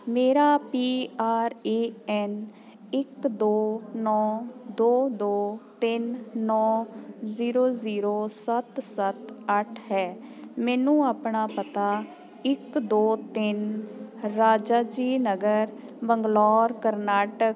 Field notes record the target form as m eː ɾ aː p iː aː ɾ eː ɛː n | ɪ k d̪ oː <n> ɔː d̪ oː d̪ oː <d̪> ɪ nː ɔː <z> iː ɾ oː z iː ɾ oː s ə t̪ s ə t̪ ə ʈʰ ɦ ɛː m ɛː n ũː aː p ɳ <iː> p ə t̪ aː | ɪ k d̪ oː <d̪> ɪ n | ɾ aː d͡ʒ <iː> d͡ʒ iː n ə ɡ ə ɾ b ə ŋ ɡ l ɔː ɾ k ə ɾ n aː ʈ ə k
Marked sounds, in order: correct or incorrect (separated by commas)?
correct, incorrect, correct, incorrect, incorrect, incorrect